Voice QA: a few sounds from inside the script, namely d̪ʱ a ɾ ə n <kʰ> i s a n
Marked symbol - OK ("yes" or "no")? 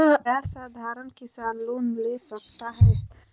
no